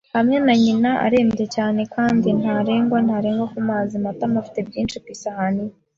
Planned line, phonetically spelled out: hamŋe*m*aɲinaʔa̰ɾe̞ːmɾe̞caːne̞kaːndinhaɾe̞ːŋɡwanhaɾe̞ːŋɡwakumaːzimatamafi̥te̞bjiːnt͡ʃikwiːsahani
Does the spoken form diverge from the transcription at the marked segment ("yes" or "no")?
yes